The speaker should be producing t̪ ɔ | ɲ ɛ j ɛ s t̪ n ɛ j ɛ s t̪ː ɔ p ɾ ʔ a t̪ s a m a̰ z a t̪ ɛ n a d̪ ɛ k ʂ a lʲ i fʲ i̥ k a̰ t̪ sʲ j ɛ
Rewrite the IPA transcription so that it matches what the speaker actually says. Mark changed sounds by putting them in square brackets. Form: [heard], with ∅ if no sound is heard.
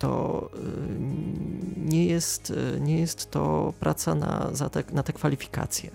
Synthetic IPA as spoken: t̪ ɔ | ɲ ɛ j ɛ s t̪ [ɲ] ɛ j ɛ s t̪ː ɔ p ɾ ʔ a t̪ s a [n] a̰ z a t̪ ɛ n a [t̪] ɛ k [f] a lʲ i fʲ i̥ k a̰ t̪ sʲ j ɛ